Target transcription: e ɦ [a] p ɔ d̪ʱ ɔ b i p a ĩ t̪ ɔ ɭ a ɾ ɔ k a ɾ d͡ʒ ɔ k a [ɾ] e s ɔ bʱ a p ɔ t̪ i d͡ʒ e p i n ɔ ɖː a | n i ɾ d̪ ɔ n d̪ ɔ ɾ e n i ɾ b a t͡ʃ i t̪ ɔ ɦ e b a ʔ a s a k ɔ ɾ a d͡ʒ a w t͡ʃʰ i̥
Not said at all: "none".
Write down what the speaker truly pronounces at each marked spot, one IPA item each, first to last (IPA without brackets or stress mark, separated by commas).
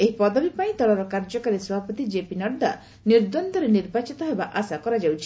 i, ɾ